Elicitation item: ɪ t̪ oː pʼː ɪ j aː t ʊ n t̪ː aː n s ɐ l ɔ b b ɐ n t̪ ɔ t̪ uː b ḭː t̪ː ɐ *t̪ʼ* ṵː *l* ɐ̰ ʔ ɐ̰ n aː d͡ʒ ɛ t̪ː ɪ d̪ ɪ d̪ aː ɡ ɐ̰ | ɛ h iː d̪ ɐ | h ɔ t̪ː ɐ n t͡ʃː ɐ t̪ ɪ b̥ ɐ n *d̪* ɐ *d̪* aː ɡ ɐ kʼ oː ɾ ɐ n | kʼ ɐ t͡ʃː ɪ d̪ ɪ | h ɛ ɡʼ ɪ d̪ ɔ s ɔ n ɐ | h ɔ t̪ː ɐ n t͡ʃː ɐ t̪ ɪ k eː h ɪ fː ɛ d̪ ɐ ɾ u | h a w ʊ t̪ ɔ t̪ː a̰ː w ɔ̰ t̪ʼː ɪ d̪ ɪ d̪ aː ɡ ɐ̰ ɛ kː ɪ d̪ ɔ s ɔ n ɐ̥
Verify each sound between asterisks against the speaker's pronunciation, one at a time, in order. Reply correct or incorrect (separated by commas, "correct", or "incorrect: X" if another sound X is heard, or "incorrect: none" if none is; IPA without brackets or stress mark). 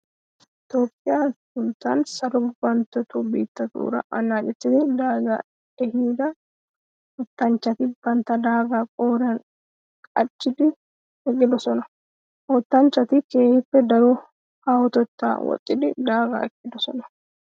incorrect: t̪, incorrect: ɾ, incorrect: t̪, correct